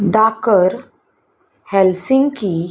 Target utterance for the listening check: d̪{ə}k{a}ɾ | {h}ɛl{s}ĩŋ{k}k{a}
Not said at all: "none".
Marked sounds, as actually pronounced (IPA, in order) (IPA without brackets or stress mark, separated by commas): a, ə, h, s, ɡ, i